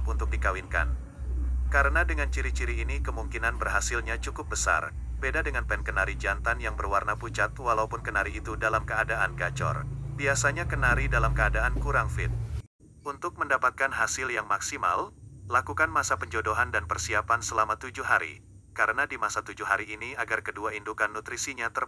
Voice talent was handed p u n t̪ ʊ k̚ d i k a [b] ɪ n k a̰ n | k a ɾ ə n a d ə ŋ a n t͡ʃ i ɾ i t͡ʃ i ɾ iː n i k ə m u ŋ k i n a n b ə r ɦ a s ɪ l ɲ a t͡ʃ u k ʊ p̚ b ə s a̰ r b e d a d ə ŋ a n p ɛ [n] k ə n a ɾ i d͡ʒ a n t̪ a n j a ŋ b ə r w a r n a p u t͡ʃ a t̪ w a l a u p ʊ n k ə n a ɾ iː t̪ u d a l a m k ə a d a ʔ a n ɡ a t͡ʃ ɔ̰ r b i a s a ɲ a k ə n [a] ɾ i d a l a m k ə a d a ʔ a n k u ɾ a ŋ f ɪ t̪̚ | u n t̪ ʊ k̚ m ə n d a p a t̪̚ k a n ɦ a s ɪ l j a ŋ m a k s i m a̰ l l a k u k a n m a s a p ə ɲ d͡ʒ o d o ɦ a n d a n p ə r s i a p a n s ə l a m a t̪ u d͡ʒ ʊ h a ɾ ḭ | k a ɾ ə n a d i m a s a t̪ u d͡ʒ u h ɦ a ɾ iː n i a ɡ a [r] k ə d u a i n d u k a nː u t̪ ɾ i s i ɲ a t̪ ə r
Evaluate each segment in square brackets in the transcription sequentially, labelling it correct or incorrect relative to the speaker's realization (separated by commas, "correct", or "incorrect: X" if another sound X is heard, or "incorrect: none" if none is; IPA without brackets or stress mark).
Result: incorrect: w, correct, correct, correct